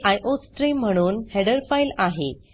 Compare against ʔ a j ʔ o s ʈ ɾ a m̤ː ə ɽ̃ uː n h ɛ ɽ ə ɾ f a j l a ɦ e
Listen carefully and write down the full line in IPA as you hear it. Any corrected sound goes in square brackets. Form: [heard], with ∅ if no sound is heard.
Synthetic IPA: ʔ a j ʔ o s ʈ ɾ [i] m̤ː ə ɽ̃ uː n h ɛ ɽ ə ɾ f a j l a ɦ e